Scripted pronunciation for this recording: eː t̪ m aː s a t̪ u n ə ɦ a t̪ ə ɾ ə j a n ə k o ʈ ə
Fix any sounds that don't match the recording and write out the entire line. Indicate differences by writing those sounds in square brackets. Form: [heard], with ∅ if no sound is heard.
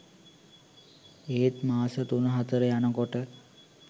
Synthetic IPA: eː t̪ m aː s [ə] t̪ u n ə ɦ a t̪ ə ɾ ə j a n ə k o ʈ ə